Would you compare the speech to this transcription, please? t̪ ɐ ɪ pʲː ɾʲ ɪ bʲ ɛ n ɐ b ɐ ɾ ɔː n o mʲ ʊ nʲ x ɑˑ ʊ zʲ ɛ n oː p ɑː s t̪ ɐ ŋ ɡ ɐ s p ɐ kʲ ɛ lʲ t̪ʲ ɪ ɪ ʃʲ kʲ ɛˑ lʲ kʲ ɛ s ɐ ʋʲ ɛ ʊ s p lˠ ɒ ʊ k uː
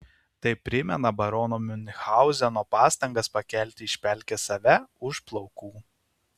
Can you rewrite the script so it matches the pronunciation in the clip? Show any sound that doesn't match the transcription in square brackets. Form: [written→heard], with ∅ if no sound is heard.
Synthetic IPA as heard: t̪ ɐ ɪ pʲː ɾʲ ɪ [bʲ→mʲ] ɛ n ɐ b ɐ ɾ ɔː n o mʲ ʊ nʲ x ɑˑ ʊ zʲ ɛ n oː p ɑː s t̪ ɐ ŋ ɡ ɐ s p ɐ kʲ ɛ lʲ t̪ʲ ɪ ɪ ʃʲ [kʲ→pʲ] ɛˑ lʲ kʲ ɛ s ɐ ʋʲ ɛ ʊ [s→ʃ] p lˠ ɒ ʊ k uː